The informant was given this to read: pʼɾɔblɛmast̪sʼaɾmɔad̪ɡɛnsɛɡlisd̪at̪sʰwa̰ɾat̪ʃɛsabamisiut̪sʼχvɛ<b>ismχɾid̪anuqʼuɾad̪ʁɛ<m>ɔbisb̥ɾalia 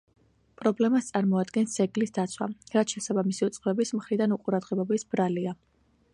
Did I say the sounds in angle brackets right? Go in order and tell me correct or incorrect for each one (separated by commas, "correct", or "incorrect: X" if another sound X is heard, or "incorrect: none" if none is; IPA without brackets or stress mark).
correct, incorrect: b